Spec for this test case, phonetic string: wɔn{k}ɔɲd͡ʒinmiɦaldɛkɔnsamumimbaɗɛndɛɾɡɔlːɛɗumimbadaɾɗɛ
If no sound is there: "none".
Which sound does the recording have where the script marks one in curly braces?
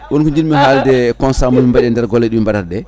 k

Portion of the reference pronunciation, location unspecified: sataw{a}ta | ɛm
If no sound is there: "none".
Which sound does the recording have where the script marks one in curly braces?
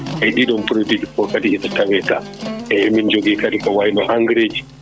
ɛ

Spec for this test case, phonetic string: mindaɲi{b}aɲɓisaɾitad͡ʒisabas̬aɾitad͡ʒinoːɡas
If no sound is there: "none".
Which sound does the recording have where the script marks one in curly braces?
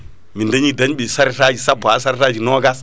d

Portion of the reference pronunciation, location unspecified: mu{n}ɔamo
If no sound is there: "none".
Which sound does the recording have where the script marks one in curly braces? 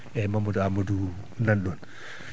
d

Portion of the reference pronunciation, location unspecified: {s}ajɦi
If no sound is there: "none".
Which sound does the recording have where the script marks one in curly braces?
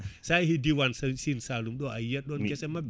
s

